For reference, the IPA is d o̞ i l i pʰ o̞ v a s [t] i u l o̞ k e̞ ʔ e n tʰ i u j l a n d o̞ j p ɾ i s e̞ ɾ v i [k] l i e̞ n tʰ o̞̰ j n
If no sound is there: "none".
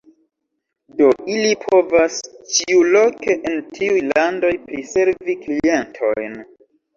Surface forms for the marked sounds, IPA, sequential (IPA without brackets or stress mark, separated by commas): t͡ʃ, k